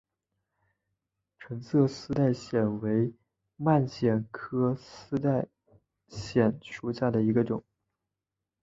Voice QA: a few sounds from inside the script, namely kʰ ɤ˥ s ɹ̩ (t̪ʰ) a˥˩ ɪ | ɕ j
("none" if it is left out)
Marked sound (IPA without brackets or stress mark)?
t̪